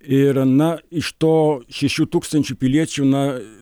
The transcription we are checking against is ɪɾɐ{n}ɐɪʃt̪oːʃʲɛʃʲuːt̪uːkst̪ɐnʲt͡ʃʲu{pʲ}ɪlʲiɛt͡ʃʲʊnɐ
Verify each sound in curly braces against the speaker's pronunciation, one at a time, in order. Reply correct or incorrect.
correct, correct

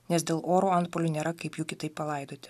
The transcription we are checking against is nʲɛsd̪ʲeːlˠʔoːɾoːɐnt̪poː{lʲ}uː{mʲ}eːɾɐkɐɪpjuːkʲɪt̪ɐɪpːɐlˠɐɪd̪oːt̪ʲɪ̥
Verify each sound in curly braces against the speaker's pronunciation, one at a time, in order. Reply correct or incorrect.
correct, incorrect: nʲ

